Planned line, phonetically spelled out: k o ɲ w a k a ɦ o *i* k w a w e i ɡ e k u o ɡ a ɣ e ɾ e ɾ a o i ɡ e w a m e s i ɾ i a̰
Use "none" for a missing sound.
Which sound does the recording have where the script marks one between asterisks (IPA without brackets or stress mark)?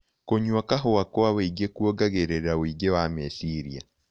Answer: a